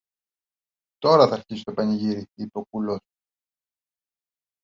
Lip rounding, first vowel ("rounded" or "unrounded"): rounded